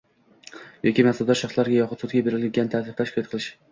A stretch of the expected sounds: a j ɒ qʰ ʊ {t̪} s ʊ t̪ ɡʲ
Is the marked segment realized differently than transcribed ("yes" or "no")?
no